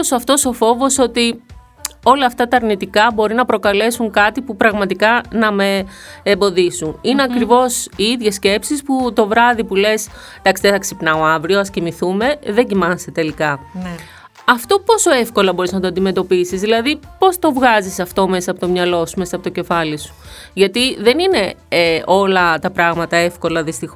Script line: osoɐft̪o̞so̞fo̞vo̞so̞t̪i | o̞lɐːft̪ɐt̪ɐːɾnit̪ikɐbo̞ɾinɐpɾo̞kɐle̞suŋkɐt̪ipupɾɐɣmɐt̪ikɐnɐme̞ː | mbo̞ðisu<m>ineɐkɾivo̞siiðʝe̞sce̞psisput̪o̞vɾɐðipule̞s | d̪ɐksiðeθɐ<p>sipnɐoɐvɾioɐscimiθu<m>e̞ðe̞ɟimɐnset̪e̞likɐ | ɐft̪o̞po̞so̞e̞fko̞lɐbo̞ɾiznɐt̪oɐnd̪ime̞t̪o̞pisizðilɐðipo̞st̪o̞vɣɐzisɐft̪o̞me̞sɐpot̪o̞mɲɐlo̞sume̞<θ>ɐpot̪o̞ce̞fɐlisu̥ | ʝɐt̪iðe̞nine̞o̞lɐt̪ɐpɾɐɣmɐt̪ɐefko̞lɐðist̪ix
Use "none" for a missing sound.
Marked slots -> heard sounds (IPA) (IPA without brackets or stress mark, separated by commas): n, k, m, s